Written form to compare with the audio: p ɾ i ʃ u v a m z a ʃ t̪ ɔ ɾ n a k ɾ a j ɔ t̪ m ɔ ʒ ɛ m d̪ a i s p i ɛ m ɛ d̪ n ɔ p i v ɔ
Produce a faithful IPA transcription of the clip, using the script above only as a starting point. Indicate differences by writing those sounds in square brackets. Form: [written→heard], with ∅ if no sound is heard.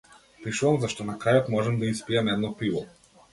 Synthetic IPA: p ɾ i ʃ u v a m z a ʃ t̪ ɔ [ɾ→∅] n a k ɾ a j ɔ t̪ m ɔ ʒ ɛ m d̪ a i s p i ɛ m ɛ d̪ n ɔ p i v ɔ

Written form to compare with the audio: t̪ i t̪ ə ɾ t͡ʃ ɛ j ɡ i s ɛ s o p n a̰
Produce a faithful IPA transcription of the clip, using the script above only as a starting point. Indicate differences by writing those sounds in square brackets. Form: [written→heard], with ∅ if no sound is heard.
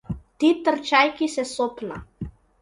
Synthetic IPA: t̪ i t̪ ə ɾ t͡ʃ [ɛ→a] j [ɡ→k] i s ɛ s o p n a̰

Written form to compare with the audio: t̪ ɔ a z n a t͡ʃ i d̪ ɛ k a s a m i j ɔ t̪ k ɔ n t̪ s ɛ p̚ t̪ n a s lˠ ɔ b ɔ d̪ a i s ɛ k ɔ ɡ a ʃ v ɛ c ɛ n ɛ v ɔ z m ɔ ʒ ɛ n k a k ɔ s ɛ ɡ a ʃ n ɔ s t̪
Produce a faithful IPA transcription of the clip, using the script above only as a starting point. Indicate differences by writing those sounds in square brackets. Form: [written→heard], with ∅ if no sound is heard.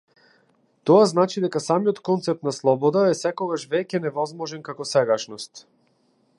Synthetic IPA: t̪ ɔ a z n a t͡ʃ i d̪ ɛ k a s a m i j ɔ t̪ k ɔ n t̪ s ɛ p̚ t̪ n a s lˠ ɔ b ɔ d̪ a [i→ɛ] s ɛ k ɔ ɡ a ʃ v ɛ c ɛ n ɛ v ɔ z m ɔ ʒ ɛ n k a k ɔ s ɛ ɡ a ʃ n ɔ s t̪

